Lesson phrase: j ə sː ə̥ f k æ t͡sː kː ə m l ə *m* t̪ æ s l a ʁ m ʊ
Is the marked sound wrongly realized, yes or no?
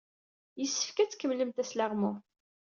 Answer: no